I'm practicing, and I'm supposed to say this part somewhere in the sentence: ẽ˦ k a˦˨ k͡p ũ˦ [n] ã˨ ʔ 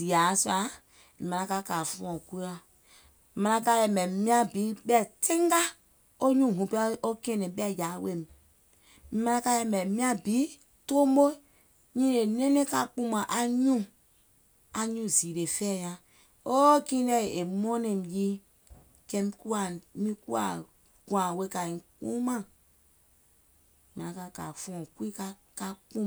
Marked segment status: incorrect: m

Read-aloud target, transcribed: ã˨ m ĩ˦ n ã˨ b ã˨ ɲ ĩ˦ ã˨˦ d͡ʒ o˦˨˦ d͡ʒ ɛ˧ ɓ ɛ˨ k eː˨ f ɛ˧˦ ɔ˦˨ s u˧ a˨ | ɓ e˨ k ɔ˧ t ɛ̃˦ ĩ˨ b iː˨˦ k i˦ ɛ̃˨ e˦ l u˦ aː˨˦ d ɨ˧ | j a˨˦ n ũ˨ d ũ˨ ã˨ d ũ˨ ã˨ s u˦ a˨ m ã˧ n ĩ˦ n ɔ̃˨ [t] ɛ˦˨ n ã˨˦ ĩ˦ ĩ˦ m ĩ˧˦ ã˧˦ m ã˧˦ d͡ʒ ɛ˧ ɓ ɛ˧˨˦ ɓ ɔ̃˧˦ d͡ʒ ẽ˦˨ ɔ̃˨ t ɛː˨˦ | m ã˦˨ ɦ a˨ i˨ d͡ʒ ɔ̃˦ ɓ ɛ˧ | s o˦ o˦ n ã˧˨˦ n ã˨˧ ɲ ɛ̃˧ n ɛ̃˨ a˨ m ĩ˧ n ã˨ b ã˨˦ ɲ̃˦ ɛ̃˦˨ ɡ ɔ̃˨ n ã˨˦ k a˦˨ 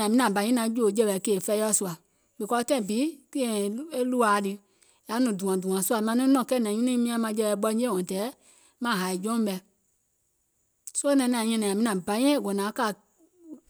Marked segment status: incorrect: k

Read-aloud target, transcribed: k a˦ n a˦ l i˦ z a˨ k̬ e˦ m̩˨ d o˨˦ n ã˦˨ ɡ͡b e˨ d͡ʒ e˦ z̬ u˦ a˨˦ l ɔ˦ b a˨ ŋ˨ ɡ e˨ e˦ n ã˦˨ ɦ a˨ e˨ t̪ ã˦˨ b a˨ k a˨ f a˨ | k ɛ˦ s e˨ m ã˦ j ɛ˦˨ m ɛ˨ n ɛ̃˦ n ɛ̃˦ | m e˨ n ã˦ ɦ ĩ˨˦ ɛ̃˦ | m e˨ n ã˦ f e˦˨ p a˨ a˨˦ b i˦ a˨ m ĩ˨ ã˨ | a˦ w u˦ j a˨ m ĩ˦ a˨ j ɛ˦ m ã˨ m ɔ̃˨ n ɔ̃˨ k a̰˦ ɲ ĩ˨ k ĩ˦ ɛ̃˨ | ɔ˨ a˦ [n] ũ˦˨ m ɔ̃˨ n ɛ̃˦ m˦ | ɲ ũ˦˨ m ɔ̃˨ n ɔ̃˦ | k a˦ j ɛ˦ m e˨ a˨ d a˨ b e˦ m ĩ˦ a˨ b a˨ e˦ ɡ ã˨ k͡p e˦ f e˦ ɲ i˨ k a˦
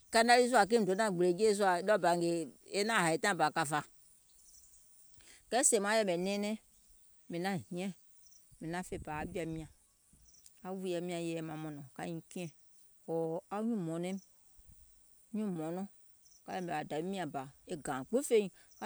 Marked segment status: incorrect: ɲ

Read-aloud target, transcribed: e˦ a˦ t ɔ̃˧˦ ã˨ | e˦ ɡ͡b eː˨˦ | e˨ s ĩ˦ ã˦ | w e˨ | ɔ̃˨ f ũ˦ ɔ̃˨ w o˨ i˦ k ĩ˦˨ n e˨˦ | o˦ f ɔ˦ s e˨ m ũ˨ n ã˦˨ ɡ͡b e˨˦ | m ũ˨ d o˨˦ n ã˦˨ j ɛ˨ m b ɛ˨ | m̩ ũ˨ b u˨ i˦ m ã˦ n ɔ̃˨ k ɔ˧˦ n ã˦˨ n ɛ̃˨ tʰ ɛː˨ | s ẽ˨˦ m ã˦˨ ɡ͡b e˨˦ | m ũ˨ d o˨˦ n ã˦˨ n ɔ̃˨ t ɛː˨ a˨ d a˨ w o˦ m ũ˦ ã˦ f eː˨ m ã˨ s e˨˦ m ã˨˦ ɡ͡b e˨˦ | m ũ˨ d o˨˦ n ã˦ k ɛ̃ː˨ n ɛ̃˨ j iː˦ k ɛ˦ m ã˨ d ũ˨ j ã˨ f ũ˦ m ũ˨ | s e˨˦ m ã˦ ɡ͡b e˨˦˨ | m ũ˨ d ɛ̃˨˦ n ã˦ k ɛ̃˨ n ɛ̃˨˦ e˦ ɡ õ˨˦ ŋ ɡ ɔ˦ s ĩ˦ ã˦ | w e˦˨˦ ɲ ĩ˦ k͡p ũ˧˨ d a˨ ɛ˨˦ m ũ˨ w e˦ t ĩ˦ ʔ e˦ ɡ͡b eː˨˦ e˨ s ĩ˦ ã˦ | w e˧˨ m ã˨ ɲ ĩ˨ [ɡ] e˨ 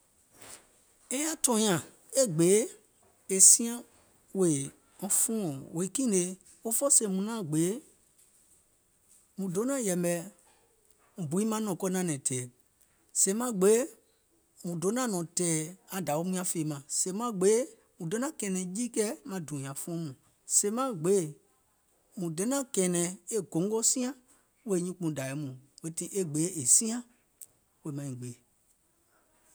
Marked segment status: incorrect: ɡ͡b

